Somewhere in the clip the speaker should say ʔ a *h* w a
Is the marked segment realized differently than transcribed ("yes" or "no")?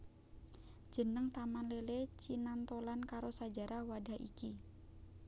no